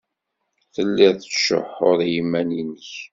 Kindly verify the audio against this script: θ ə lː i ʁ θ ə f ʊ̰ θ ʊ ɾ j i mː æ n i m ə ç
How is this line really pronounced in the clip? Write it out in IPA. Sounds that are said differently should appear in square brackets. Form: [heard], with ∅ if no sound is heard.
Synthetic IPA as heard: θ ə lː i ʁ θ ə [ʃ] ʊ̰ [ħ] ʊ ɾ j i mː æ n i [n] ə ç

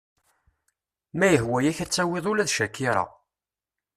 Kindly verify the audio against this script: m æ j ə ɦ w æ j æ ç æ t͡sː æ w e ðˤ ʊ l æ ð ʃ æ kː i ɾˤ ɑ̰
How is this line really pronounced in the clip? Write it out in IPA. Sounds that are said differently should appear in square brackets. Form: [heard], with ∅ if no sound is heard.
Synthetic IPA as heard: m æ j ə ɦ w æ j æ ç æ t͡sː æ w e ðˤ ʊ l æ ð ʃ æ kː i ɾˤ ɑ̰

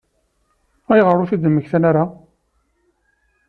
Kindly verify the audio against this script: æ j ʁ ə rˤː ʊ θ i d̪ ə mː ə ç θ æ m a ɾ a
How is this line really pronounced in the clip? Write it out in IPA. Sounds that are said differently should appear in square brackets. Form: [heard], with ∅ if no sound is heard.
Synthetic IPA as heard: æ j ʁ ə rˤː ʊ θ i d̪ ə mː ə ç θ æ [n] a ɾ a

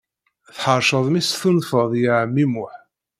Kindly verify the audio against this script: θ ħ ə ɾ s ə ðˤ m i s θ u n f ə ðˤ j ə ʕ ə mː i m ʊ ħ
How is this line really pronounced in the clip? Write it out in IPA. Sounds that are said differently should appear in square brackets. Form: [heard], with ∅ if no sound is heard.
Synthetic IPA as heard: θ ħ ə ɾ [ʃ] ə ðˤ m i s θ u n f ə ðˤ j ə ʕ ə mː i m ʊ ħ

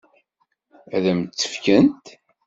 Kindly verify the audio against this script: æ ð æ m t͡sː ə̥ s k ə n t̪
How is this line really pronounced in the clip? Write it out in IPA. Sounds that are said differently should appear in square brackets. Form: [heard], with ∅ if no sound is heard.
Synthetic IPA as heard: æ ð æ m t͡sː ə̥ [f] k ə n t̪

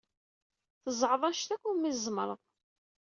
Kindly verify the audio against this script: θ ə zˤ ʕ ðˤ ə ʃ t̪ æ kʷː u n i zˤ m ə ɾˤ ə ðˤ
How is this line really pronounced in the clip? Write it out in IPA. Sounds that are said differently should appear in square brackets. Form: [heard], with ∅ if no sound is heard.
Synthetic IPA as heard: θ ə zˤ ʕ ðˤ [ɑ] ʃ t̪ æ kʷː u [m] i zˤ m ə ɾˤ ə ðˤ

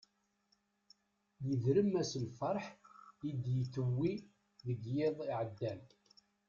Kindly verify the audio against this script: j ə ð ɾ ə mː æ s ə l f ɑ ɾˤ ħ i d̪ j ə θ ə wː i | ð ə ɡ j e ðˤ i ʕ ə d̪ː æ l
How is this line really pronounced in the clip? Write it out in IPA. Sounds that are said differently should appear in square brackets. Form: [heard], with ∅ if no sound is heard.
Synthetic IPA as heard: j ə ð ɾ ə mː æ s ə l f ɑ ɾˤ ħ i d̪ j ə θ ə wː i | ð ə ɡ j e ðˤ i ʕ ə d̪ː æ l

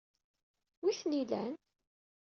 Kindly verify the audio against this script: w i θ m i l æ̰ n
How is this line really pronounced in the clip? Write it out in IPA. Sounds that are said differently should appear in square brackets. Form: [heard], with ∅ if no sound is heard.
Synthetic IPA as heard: w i θ [n] i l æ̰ n

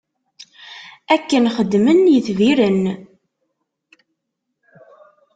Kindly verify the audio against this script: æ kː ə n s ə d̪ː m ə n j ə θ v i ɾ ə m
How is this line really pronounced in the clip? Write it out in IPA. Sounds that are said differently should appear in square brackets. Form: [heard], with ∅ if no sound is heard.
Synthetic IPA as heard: æ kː ə n [χ] ə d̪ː m ə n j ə θ v i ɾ ə [n]

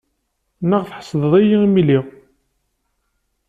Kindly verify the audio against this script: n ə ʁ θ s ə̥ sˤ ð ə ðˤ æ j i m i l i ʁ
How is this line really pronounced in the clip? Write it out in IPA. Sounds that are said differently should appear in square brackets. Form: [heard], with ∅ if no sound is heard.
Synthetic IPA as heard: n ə ʁ θ [ħ] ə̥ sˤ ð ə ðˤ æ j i m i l i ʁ

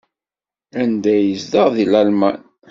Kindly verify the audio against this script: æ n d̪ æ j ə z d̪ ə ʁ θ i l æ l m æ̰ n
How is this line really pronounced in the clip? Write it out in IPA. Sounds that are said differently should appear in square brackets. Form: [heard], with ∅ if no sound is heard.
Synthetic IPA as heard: æ n d̪ æ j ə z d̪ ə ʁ [ð] i l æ l m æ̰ n

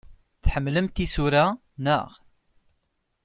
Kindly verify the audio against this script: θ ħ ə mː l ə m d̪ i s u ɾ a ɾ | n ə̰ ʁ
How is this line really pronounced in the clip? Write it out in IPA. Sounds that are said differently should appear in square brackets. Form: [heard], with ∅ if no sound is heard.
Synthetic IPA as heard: θ ħ ə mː l ə m [t̪] i s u ɾ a [∅] | n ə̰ ʁ

